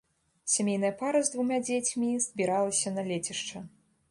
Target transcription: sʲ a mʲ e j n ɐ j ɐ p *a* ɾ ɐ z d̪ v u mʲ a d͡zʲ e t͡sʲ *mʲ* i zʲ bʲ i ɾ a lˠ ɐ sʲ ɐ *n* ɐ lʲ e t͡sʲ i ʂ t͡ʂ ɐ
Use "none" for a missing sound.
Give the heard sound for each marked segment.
a, mʲ, n

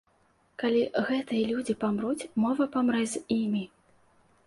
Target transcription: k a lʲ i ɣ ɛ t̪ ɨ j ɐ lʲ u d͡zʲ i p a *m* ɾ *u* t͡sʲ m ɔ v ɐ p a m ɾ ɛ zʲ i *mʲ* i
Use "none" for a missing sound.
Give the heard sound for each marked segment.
m, u, mʲ

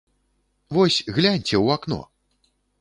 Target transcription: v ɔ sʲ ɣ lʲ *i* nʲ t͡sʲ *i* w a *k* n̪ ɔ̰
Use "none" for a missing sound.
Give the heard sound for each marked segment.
a, ɛ, k

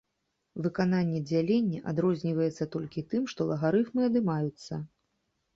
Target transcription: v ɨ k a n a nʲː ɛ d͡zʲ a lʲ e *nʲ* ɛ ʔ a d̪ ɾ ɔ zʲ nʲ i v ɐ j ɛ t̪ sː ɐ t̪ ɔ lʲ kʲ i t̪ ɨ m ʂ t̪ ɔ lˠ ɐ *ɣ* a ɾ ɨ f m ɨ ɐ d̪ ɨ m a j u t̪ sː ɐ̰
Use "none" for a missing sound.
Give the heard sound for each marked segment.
nʲː, ɣ

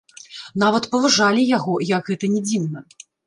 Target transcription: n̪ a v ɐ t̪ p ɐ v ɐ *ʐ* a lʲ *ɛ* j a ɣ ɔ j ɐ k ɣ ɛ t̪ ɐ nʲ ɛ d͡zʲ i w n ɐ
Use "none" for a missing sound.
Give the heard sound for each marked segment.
ʐ, i

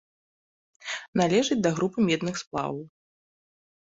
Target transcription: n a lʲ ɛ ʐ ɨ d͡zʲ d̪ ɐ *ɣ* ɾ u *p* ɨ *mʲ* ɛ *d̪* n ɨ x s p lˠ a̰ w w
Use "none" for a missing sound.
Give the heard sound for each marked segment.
ɣ, p, mʲ, d̪

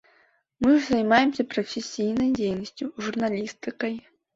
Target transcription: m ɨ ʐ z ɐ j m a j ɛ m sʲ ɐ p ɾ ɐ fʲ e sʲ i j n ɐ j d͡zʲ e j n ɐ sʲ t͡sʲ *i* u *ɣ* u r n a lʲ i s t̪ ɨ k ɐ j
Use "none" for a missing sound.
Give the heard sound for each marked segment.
j, ʐ

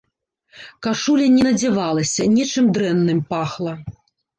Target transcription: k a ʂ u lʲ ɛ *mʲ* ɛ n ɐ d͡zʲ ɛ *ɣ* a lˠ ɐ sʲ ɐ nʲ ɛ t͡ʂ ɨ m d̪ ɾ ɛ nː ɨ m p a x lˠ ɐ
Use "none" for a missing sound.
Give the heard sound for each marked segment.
nʲ, v

